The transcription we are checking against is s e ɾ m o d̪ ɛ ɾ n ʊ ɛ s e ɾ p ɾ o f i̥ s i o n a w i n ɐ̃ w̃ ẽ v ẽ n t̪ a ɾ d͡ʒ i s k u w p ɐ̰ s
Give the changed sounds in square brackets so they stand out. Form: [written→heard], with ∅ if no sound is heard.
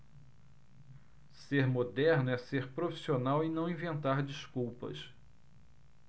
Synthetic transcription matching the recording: s e ɾ m o d̪ ɛ ɾ n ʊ ɛ s e ɾ p ɾ o f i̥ s i o n a w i n ɐ̃ w̃ [ẽ→ĩ] v ẽ n t̪ a ɾ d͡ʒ i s k u w p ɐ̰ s